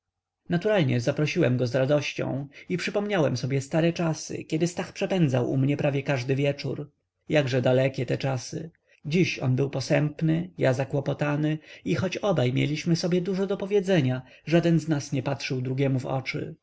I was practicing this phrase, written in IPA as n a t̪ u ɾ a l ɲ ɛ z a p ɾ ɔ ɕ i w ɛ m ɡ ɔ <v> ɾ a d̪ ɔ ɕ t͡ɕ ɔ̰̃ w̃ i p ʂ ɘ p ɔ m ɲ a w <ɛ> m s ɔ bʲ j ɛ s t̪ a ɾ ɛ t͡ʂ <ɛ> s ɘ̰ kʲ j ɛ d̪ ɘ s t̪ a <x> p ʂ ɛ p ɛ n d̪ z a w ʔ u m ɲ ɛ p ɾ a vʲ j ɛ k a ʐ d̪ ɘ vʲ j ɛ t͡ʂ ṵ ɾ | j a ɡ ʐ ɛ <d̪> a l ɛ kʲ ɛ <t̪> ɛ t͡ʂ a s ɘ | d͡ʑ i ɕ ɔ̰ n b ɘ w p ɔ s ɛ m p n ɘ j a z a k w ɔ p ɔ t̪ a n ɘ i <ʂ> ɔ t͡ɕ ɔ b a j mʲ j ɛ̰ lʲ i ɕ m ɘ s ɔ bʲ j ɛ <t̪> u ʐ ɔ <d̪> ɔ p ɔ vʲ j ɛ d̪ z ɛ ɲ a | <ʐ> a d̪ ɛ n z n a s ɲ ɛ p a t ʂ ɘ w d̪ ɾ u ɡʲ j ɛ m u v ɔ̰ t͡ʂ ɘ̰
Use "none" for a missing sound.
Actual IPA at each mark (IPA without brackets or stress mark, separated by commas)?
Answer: z, ɛ, a, x, d̪, t̪, x, d̪, d̪, ʐ